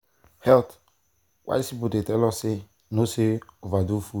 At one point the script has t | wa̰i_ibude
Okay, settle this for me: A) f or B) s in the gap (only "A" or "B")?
B